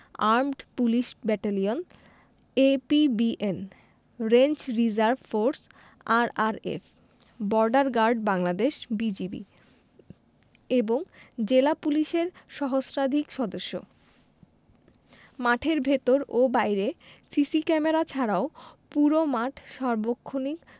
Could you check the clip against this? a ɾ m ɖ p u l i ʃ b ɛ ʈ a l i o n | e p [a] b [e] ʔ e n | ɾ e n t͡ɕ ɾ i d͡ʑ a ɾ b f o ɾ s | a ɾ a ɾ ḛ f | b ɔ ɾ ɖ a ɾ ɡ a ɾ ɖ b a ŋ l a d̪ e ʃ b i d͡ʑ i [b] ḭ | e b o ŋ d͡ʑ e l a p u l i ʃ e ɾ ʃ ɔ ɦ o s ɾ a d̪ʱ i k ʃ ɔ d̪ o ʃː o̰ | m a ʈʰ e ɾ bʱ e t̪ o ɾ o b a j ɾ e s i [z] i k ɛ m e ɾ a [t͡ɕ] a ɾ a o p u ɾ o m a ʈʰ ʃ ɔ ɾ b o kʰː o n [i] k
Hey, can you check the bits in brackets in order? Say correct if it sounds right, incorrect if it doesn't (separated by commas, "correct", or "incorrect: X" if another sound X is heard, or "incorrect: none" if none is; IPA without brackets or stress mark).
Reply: incorrect: i, incorrect: i, correct, incorrect: s, incorrect: t͡ɕʰ, correct